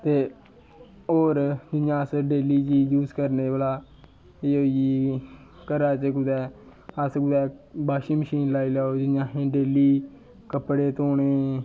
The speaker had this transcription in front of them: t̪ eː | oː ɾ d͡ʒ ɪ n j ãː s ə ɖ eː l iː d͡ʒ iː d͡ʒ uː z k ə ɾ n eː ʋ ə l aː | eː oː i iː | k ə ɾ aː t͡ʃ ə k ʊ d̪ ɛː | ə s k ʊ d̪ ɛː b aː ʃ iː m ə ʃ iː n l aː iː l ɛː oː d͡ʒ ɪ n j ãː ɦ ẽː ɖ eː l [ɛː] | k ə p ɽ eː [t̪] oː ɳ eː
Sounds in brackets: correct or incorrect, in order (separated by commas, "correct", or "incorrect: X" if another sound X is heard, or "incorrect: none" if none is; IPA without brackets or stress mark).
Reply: incorrect: iː, correct